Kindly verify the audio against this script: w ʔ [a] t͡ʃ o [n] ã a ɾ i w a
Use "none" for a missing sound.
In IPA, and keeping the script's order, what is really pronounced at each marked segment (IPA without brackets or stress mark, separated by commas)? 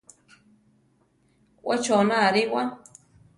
a, n